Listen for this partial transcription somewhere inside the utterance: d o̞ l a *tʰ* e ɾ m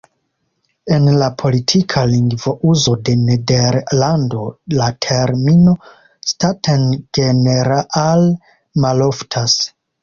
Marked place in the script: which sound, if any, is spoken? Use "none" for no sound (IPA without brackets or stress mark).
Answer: tʰ